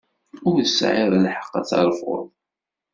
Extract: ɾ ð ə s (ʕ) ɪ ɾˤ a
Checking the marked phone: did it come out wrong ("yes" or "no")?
no